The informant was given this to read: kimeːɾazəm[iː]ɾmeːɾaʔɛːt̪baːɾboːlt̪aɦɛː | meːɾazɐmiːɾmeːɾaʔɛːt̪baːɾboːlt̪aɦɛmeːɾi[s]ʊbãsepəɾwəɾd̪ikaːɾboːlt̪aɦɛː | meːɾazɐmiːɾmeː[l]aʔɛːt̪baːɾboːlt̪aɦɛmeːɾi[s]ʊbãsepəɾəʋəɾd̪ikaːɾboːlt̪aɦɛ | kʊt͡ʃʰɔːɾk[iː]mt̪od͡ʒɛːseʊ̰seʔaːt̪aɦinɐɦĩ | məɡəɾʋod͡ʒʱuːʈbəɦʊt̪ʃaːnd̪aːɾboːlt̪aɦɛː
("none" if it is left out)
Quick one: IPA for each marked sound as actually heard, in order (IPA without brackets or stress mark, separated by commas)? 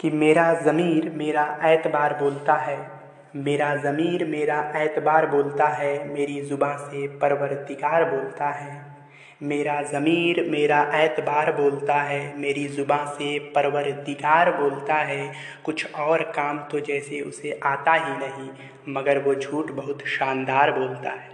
iː, z, ɾ, z, aː